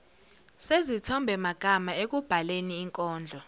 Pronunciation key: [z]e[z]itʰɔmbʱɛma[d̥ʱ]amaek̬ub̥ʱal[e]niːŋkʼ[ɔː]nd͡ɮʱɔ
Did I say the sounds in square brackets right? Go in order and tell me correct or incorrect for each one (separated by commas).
incorrect, correct, incorrect, correct, correct